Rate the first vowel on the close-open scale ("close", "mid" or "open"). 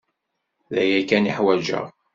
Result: open